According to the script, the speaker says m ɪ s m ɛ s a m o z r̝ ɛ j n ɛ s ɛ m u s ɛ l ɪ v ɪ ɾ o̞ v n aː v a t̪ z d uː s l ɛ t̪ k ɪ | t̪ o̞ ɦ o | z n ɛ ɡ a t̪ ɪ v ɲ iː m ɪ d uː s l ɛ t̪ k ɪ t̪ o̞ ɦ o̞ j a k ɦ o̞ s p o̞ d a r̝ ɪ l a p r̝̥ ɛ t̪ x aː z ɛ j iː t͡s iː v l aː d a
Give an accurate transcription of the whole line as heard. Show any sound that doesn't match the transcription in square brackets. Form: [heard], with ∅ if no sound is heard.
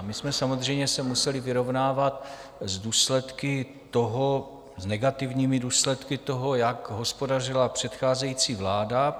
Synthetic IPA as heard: m ɪ s m ɛ s a m o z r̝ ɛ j [ɲ] ɛ s ɛ m u s ɛ l ɪ v ɪ ɾ o̞ v n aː v a t̪ z d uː s l ɛ t̪ k ɪ | t̪ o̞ ɦ o | z n ɛ ɡ a t̪ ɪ v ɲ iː m ɪ d uː s l ɛ t̪ k ɪ t̪ o̞ ɦ o̞ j a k ɦ o̞ s p o̞ d a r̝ ɪ l a p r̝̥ ɛ t̪ x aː z ɛ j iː t͡s iː v l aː d a